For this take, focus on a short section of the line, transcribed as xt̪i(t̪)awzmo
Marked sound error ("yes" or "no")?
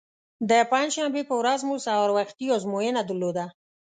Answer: yes